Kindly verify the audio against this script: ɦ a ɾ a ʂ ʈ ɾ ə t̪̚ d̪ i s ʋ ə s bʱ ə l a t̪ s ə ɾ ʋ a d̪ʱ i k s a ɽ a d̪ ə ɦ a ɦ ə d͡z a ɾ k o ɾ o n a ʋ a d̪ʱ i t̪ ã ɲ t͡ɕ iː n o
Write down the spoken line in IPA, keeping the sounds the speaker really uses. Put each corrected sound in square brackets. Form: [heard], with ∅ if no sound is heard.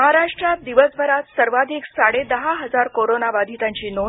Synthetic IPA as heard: ɦ a ɾ a ʂ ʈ ɾ [a] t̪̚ d̪ i [∅] ʋ ə s bʱ ə [ɾ] a t̪ s ə ɾ ʋ a d̪ʱ i k s a ɽ [e] d̪ ə ɦ a ɦ ə d͡z a ɾ k o ɾ o n a ʋ a d̪ʱ i t̪ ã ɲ t͡ɕ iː n o